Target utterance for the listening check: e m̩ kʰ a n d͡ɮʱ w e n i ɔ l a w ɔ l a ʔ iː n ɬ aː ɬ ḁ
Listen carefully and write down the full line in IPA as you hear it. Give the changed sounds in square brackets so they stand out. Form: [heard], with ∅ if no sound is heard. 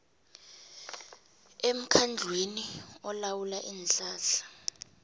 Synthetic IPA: e m̩ kʰ a n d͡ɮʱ w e n i ɔ l a w [u] l a ʔ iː n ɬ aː ɬ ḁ